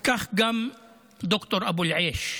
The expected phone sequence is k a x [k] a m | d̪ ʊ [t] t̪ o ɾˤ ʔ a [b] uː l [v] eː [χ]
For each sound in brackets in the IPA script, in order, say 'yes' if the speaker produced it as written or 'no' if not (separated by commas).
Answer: no, no, yes, no, no